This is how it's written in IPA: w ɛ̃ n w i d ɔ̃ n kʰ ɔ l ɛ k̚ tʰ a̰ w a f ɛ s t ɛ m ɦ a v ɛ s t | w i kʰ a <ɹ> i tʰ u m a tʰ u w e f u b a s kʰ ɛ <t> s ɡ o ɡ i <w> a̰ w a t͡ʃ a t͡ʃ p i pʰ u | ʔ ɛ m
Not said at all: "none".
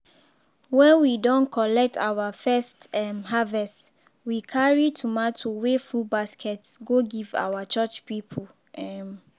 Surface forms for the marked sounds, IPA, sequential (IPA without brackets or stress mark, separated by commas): ɹ, t, v